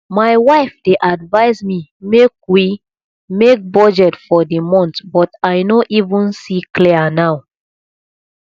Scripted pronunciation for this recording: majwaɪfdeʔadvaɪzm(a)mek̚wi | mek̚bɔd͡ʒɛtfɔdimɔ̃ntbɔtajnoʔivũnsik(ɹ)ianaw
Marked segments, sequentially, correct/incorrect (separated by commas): incorrect, incorrect